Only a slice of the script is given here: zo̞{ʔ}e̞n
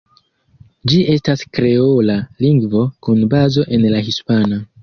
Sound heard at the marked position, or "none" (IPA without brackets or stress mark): ʔ